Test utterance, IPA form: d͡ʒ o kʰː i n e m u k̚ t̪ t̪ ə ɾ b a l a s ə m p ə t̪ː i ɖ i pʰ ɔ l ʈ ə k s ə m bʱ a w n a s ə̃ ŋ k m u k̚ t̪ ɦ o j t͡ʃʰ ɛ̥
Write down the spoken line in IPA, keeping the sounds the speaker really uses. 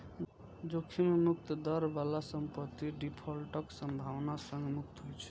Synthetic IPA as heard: d͡ʒ o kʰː i m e m u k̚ t̪ d̪ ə ɾ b a l a s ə m p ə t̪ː i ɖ i pʰ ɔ l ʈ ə k s ə m bʱ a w n a s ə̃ ŋ ɡ m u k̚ t̪ ɦ o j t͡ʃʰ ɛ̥